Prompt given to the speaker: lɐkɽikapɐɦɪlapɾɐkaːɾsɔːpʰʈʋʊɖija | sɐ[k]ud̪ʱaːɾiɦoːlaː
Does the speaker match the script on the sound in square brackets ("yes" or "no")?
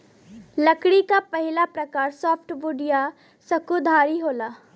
yes